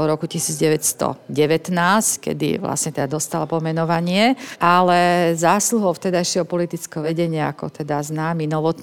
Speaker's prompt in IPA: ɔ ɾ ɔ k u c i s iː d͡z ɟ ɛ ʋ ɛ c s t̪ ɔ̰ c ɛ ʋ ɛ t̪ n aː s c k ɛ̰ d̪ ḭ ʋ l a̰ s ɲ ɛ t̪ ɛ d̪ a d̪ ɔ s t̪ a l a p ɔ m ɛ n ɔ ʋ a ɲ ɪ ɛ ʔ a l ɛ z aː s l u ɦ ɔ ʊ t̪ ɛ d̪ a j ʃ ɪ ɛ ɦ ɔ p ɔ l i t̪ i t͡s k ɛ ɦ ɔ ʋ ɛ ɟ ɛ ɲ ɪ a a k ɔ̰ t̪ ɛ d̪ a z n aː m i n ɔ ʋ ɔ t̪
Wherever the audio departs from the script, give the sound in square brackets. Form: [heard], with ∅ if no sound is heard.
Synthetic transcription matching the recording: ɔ ɾ ɔ k u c i s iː d͡z ɟ ɛ ʋ ɛ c s t̪ ɔ̰ [ɟ] ɛ ʋ ɛ t̪ n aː s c k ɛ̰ d̪ ḭ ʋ l a̰ s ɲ ɛ t̪ ɛ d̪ a d̪ ɔ s t̪ a l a p ɔ m ɛ n ɔ ʋ a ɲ ɪ ɛ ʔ a l ɛ z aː s l u ɦ ɔ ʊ t̪ ɛ d̪ a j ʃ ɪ ɛ ɦ ɔ p ɔ l i t̪ i t͡s k ɛ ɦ ɔ ʋ ɛ ɟ ɛ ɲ ɪ a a k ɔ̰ t̪ ɛ d̪ a z n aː m i n ɔ ʋ ɔ t̪